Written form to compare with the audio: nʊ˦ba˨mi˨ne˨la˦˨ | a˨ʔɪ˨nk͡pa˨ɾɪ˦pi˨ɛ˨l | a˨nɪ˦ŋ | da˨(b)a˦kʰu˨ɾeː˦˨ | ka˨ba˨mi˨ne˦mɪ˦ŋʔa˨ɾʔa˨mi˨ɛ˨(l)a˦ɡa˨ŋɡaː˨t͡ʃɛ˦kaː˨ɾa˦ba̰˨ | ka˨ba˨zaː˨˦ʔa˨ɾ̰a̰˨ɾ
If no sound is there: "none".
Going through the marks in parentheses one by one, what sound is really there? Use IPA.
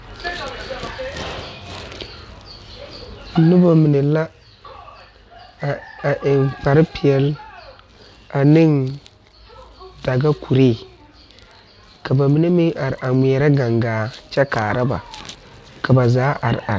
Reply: ɡ, ɾ

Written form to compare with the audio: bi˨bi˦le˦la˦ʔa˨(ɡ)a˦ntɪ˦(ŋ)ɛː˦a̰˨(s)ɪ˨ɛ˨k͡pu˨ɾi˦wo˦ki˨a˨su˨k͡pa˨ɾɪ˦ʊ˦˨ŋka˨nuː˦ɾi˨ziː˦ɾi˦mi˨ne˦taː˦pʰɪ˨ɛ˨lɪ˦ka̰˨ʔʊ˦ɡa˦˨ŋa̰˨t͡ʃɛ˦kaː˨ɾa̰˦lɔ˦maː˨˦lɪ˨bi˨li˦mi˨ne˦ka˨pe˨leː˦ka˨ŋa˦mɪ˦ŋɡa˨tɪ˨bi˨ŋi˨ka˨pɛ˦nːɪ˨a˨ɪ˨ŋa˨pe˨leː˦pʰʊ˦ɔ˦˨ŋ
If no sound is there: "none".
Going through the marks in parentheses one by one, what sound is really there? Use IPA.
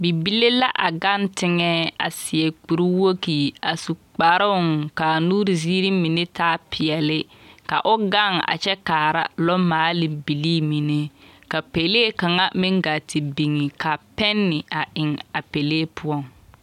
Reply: ɡ, ŋ, s

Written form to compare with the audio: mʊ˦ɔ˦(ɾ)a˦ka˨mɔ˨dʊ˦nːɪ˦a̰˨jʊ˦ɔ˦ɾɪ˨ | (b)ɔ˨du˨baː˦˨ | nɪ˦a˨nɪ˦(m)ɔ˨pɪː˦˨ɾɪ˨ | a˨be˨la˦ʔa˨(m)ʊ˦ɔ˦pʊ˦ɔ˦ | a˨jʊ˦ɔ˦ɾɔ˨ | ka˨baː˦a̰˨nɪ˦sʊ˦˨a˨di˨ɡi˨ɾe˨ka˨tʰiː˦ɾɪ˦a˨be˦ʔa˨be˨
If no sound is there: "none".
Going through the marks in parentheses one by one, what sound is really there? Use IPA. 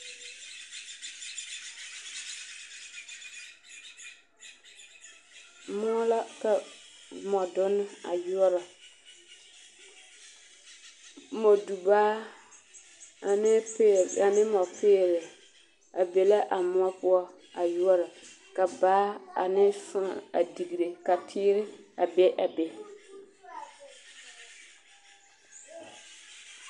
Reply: l, m, m, m

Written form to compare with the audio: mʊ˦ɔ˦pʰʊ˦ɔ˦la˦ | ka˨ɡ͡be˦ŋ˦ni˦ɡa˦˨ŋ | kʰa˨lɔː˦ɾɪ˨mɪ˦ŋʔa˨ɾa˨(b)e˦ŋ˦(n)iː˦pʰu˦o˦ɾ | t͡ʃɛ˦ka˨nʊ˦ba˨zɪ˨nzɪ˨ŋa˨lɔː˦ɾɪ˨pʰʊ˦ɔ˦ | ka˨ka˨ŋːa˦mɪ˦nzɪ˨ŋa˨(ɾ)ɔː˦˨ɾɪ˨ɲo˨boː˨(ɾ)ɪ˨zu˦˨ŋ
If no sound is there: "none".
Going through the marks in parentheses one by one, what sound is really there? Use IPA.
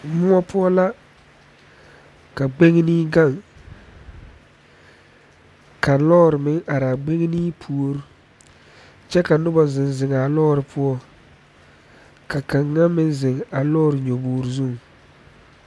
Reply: ɡ͡b, n, l, ɾ

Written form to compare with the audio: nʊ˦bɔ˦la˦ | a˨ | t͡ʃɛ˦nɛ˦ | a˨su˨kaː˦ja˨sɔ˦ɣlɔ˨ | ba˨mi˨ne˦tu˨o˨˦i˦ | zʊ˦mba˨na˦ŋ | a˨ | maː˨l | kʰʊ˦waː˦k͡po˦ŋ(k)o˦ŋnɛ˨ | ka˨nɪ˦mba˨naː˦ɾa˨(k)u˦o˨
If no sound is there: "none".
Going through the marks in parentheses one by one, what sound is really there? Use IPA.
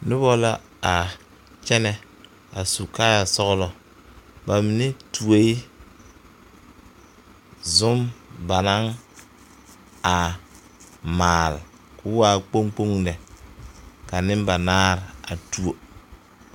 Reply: k͡p, t

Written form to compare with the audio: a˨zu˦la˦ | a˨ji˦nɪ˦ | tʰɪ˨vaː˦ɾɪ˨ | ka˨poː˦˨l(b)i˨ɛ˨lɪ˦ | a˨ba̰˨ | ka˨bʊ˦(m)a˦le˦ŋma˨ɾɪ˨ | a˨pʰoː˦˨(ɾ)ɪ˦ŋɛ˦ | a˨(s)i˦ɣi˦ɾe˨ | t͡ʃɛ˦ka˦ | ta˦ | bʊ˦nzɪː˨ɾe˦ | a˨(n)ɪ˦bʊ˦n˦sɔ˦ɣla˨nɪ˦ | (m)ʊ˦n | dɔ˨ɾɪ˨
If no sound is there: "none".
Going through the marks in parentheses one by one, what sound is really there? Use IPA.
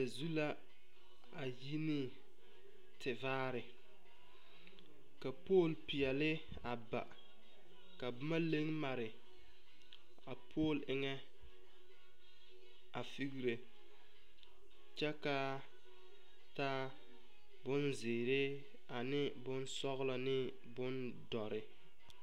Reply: p, m, l, f, n, b

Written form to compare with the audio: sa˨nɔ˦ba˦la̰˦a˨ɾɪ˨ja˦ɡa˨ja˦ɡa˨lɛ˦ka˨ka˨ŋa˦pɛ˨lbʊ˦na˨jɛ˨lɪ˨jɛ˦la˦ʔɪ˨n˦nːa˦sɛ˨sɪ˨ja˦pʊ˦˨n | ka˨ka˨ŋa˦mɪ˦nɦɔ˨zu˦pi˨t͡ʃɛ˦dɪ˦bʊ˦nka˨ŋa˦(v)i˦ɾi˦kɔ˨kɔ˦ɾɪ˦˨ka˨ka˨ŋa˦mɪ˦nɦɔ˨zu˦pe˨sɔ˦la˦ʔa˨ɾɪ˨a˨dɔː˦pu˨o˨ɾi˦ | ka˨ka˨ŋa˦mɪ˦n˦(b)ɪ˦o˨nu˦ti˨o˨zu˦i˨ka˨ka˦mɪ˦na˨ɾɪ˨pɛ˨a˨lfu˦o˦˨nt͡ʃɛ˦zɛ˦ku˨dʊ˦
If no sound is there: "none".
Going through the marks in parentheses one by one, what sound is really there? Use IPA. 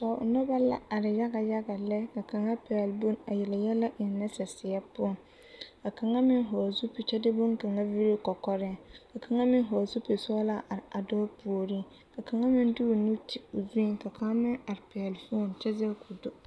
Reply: v, d

